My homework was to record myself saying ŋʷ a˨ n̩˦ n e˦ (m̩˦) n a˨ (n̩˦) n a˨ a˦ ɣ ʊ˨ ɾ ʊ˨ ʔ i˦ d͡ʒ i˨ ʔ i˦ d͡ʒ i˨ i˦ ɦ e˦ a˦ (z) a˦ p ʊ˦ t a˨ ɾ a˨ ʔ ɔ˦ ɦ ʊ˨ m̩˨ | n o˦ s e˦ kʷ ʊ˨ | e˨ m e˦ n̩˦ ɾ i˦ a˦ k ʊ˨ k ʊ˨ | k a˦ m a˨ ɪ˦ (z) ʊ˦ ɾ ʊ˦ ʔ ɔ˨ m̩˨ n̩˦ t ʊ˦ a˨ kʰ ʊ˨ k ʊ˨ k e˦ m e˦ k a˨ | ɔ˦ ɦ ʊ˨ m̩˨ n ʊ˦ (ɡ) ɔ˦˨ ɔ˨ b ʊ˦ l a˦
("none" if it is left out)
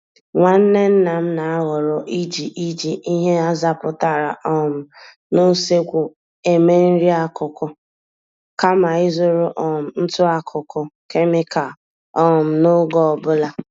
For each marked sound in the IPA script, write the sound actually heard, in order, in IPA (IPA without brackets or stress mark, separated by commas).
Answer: n̩˦, m̩˦, z, z, ɡ